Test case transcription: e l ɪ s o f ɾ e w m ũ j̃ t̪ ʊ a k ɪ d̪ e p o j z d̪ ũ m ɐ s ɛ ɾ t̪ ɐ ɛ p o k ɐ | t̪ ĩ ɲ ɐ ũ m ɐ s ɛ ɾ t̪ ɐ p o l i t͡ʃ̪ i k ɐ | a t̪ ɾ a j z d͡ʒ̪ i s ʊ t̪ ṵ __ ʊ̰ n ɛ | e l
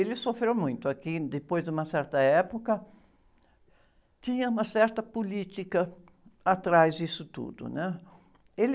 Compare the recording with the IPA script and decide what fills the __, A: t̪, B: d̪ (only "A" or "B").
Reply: B